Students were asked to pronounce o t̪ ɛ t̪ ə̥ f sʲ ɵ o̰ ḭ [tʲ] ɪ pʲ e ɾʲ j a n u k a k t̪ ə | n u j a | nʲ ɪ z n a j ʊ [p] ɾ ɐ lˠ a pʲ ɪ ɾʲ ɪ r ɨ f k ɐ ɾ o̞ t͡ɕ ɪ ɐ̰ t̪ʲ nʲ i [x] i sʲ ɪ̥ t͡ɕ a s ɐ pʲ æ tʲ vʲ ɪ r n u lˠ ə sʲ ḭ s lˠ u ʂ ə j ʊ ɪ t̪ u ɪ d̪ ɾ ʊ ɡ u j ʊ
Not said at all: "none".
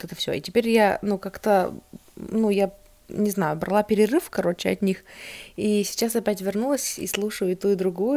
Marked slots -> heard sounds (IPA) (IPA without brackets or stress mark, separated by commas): tʲ, b, x